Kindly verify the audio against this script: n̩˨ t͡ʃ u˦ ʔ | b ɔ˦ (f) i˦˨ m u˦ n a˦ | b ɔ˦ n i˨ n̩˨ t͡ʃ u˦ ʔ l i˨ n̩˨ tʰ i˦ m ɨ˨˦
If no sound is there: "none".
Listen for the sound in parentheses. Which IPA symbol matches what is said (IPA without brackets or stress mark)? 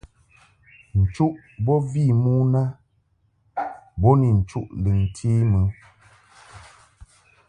v